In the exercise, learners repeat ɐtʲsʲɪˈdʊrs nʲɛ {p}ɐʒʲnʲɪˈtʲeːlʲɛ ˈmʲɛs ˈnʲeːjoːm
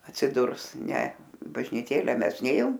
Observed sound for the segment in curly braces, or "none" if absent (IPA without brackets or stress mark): b